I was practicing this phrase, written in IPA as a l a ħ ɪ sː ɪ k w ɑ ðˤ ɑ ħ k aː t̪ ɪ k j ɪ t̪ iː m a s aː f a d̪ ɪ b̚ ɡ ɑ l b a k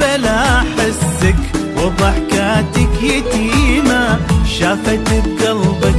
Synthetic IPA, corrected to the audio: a l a ħ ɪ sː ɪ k w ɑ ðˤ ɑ ħ k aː t̪ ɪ k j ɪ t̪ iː m a ʃ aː f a t̪ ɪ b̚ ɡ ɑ l b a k